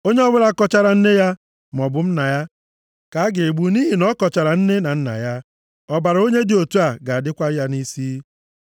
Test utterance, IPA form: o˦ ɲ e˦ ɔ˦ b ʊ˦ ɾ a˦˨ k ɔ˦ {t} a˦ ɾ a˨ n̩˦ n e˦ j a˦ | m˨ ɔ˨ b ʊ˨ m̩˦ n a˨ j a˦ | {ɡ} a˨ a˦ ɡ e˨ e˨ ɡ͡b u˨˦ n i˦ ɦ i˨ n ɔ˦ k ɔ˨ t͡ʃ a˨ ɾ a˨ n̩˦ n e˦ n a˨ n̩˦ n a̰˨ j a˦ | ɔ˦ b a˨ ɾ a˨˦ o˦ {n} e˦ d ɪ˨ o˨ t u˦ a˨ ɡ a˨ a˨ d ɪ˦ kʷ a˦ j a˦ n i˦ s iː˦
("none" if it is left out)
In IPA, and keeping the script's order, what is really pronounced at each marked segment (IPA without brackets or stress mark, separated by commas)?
t͡ʃ, k, ɲ